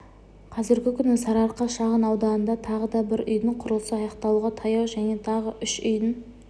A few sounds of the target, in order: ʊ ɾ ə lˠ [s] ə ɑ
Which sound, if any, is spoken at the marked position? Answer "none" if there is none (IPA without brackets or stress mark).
s